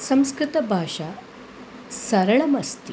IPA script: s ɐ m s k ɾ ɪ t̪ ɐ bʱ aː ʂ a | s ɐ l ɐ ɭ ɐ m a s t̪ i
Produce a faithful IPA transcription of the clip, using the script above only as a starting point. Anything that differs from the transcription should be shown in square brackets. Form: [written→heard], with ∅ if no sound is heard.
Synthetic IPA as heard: s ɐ m s k ɾ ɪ t̪ ɐ bʱ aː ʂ a | s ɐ [l→ɾ] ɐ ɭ ɐ m [a→ɐ] s t̪ i